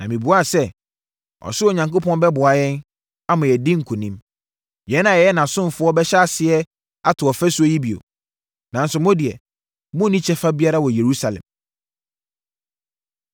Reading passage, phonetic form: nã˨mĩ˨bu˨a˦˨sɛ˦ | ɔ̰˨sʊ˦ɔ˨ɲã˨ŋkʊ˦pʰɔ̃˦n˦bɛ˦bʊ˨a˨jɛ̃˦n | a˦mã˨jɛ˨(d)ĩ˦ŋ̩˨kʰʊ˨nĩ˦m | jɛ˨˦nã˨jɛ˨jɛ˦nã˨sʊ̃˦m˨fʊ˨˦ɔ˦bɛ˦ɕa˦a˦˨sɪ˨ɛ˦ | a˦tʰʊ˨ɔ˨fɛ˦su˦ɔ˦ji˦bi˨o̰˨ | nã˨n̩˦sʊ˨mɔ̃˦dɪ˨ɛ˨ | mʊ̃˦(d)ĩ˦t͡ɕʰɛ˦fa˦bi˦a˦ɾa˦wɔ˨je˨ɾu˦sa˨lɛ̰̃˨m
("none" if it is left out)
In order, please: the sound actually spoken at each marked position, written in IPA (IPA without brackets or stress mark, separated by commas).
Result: d, n